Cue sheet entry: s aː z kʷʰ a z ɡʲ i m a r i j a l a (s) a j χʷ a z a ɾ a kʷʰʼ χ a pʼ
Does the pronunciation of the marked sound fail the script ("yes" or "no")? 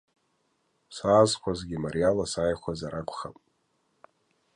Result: no